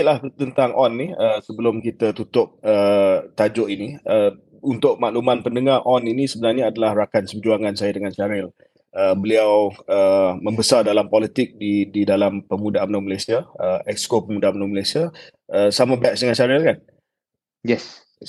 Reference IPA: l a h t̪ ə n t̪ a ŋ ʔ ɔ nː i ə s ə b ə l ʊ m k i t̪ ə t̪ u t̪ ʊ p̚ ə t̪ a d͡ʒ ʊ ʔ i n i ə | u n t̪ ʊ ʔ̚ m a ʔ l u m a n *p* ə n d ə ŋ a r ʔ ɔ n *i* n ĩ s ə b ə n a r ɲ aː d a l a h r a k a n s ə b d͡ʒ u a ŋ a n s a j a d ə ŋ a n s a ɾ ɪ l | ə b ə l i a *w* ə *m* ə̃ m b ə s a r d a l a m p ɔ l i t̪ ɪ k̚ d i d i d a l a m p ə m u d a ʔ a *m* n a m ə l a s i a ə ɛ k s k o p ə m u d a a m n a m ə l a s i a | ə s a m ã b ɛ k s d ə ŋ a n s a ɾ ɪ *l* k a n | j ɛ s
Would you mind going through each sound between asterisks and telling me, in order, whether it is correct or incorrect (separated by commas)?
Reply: correct, correct, correct, correct, correct, correct